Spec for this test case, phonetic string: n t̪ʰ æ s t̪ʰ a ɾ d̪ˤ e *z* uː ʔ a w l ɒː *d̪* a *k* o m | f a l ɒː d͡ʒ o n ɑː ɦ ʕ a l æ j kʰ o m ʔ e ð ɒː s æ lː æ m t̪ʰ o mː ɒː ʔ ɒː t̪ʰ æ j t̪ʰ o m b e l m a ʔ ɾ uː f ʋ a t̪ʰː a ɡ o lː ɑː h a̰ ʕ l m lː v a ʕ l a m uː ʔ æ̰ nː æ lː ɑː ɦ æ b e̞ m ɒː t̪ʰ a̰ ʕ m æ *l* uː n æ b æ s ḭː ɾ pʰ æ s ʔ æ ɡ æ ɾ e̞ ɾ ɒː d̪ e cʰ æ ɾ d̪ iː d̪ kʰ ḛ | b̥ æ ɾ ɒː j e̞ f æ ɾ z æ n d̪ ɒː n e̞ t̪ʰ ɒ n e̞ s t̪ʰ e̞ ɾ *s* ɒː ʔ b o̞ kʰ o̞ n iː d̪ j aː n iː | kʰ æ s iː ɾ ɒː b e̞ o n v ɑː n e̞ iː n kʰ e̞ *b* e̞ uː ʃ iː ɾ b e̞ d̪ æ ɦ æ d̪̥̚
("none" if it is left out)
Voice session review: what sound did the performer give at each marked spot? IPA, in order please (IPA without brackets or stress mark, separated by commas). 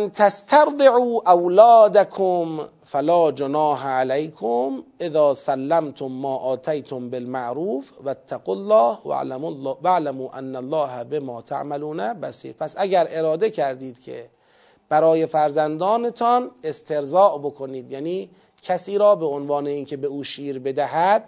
ʕ, d̪, kʰ, l, z, b